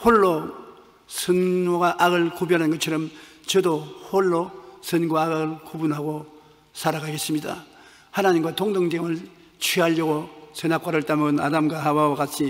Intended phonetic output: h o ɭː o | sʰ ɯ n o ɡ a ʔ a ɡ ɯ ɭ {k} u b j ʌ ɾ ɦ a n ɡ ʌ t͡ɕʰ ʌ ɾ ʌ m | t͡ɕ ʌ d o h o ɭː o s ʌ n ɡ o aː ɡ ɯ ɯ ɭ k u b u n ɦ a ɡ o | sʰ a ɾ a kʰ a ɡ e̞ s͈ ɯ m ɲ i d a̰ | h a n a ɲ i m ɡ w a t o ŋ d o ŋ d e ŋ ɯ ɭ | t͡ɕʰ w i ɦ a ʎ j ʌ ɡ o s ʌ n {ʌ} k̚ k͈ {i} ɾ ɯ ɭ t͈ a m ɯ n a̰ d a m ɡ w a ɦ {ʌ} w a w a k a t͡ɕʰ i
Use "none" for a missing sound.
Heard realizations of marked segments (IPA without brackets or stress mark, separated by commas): k, a, a, a